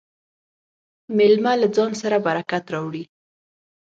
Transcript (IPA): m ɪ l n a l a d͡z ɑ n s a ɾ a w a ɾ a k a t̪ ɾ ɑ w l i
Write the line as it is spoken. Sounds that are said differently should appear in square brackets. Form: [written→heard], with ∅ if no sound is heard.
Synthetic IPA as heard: m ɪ l [n→m] a l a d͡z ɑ n s a ɾ a [w→b] a ɾ a k a t̪ ɾ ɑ w [l→ɽ] i